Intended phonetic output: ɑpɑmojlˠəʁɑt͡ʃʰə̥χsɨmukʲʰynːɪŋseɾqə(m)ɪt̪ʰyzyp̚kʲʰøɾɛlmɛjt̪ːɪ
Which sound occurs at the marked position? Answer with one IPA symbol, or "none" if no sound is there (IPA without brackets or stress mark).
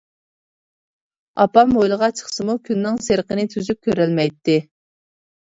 n